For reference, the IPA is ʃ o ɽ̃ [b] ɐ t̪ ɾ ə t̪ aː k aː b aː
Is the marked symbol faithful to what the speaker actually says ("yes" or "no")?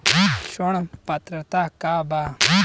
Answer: no